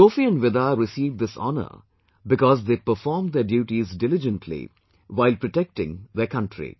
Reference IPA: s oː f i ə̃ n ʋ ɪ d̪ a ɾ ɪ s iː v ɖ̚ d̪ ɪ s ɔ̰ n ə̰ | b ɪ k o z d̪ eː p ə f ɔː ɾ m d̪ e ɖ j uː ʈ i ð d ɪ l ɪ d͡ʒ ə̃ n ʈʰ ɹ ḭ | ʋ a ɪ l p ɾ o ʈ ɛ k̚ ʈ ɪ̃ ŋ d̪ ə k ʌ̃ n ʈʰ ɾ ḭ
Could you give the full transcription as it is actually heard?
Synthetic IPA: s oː f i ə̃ n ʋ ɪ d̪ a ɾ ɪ s iː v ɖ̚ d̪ ɪ s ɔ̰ n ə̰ | b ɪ k ɔ z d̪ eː p ə f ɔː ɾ m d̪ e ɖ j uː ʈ i z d ɪ l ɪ d͡ʒ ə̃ n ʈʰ l ḭ | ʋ a ɪ l p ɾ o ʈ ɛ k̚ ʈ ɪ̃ ŋ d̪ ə k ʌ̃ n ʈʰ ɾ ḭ

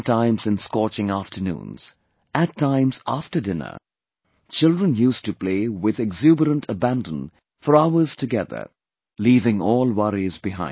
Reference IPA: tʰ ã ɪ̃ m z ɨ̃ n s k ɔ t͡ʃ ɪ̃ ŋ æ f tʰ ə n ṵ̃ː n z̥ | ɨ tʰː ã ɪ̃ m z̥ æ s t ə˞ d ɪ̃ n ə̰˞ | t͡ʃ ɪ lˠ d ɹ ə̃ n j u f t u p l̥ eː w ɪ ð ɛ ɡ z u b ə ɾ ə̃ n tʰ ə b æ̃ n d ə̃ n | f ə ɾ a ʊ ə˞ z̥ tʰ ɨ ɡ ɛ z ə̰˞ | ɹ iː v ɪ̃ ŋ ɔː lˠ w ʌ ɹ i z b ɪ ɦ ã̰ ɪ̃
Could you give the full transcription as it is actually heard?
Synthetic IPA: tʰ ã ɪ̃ m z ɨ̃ n s k ɔ t͡ʃ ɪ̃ ŋ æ f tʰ ə n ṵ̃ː n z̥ | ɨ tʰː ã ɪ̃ m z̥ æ f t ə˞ d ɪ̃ n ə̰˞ | t͡ʃ ɪ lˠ d ɹ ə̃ n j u s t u p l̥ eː w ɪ ð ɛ ɡ z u b ə ɾ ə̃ n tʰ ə b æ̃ n d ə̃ n | f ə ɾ a ʊ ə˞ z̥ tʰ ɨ ɡ ɛ ð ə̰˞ | l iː v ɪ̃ ŋ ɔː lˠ w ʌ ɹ i z b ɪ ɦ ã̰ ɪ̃

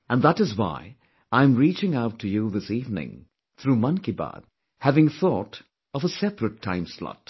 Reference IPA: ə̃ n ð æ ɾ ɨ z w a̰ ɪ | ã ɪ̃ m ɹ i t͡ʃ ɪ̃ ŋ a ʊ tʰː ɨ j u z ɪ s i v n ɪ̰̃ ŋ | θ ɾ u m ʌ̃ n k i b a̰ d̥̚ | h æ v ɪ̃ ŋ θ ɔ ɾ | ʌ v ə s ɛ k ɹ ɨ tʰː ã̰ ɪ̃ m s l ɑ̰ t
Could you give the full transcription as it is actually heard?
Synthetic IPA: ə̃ n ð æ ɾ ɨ z w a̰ ɪ | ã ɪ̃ m ɹ i t͡ʃ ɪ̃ ŋ a ʊ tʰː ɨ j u ð ɪ s i v n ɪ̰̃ ŋ | θ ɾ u m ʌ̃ n k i b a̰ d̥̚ | h æ v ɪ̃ ŋ θ ɔ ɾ | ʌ v ə s ɛ p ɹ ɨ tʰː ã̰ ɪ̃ m s l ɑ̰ t

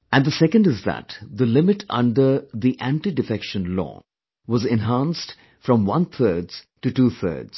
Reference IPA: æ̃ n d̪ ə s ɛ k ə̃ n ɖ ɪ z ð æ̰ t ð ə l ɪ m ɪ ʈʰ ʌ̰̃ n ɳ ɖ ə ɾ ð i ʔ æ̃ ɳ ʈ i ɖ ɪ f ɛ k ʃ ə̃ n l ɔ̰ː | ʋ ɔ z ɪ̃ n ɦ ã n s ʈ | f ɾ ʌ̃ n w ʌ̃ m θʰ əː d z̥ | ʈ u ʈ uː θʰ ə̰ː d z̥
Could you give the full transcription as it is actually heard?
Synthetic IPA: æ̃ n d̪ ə s ɛ k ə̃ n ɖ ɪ z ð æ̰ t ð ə l ɪ m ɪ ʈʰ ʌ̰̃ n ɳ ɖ ə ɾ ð i ʔ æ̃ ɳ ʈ i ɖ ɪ f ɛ k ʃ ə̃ n l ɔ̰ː | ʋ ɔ z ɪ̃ n ɦ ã n s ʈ | f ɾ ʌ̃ m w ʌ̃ n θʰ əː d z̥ | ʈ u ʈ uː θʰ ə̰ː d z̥

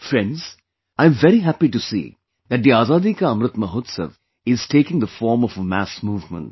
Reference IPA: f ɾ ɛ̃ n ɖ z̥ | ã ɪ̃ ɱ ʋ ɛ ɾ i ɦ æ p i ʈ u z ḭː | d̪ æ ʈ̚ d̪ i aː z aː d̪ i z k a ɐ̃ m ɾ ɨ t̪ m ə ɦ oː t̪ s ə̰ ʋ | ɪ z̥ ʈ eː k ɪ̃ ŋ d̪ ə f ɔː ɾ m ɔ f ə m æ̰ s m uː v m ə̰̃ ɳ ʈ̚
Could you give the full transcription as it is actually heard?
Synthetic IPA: f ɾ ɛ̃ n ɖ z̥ | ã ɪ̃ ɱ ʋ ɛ ɾ i ɦ æ p i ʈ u s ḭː | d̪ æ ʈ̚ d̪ i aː z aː d̪ i k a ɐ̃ m ɾ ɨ t̪ m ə ɦ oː t̪ s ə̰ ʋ | ɪ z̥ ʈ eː k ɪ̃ ŋ d̪ ə f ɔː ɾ m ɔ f ə m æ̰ s m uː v m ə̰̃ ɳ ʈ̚

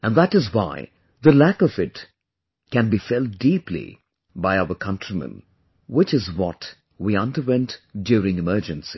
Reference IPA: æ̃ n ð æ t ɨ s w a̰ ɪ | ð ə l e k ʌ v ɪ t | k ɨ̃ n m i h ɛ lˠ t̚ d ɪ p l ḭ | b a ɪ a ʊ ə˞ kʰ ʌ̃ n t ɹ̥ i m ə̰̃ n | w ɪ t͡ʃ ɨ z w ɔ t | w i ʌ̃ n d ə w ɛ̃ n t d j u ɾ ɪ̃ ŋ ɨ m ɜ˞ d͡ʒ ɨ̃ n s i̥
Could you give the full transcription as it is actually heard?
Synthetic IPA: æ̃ n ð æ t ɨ z w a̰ ɪ | ð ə l æ k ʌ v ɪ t | k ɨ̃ n b i f ɛ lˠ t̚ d i p l ḭ | b a ɪ a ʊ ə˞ kʰ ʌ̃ n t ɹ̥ i m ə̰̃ n | w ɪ t͡ʃ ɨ z w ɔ t | w i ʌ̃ n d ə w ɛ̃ n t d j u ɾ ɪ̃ ŋ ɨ m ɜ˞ d͡ʒ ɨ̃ n s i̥

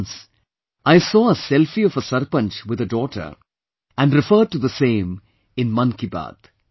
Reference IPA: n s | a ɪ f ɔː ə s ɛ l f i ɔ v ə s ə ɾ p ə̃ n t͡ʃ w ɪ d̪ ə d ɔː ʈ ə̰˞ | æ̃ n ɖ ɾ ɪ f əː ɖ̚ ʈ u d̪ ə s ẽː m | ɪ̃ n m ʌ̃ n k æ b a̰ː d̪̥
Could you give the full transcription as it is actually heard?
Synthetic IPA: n s | a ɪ s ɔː ə s ɛ l f i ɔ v ə s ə ɾ p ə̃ n t͡ʃ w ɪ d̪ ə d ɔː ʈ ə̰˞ | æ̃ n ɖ ɾ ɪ f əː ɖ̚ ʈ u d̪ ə s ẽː m | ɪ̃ n m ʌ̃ n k i b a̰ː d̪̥

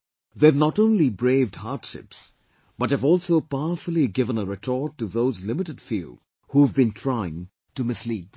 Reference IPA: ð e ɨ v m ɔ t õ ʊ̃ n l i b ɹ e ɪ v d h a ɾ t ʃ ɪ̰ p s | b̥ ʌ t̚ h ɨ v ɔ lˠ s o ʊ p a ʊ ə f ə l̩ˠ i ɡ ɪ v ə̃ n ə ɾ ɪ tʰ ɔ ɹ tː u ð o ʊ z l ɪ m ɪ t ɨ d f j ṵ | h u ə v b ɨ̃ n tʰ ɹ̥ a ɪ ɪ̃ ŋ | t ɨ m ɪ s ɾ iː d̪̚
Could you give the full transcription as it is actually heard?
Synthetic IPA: ð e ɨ v n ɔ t õ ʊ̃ n l i b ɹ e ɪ v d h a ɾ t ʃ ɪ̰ p s | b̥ ʌ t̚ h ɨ v ɔ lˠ s o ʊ p a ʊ ə f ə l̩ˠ i ɡ ɪ v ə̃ n ə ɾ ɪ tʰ ɔ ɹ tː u ð o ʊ z l ɪ m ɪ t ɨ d f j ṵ | h u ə v b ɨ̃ n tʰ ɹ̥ a ɪ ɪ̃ ŋ | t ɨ m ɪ s l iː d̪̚

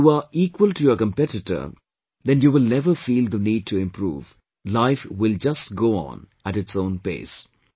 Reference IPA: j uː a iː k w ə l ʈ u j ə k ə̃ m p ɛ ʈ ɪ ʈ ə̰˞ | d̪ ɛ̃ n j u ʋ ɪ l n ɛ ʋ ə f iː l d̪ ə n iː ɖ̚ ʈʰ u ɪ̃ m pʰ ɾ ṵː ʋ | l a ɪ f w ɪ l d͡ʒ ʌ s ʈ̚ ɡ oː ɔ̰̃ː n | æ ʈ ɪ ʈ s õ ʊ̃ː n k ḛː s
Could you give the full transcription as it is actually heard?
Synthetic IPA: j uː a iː k w ə l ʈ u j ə k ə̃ m p ɛ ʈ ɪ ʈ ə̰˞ | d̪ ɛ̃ n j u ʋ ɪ l n ɛ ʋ ə f iː l d̪ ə n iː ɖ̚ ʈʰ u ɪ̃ m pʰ ɾ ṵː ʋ | l a ɪ f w ɪ l d͡ʒ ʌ s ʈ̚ ɡ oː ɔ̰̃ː n | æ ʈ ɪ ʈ s õ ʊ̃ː n p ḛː s

